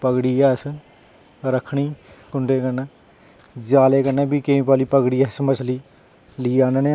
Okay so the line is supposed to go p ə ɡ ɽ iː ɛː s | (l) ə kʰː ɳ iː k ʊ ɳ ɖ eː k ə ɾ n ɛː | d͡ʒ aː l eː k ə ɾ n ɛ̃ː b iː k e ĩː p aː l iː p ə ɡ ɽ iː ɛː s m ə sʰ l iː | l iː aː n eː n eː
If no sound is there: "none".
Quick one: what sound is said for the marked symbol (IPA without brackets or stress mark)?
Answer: ɾ